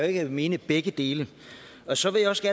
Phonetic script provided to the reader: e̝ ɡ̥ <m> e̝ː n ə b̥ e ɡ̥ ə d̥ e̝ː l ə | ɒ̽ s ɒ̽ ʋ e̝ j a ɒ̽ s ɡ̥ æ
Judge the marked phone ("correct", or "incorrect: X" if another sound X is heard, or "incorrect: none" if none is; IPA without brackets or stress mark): correct